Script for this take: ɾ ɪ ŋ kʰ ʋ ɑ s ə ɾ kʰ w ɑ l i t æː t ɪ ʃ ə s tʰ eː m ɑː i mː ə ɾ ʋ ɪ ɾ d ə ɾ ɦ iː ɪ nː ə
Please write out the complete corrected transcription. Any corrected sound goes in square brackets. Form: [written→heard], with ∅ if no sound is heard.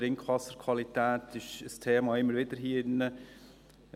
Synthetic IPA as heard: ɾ ɪ ŋ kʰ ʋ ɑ s ə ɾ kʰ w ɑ l i t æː t ɪ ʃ ə s tʰ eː m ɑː [i→ɪ] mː ə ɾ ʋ ɪ [ɾ→∅] d ə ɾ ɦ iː ɪ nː ə